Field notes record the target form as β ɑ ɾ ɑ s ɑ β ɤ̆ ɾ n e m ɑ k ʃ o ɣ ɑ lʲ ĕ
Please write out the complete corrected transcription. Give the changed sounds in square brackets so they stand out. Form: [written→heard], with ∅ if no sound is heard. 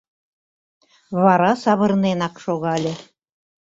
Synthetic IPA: β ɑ ɾ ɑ s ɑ β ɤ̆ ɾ n e [m→n] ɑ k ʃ o ɣ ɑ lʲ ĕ

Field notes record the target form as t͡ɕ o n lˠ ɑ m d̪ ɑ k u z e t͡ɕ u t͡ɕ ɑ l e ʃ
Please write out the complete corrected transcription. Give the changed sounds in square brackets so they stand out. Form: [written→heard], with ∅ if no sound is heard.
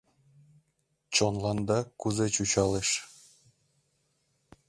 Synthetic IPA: t͡ɕ o n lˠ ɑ [m→n] d̪ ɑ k u z e t͡ɕ u t͡ɕ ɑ l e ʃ

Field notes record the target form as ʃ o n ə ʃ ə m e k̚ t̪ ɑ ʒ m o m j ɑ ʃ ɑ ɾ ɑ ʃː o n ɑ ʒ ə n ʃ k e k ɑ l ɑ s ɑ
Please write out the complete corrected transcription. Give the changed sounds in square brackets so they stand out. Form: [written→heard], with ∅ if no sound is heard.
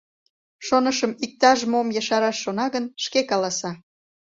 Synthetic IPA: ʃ o n ə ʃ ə m [e→i] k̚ t̪ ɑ ʒ m o m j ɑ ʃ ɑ ɾ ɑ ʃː o n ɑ [ʒ→ɣ] ə n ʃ k e k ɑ l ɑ s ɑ

